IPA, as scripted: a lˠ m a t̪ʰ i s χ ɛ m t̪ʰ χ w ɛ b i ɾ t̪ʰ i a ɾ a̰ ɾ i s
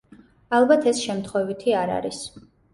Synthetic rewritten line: a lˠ b a t̪ʰ ɛ s ʃ ɛ m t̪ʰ χ w ɛ v i t̪ʰ i a ɾ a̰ ɾ i s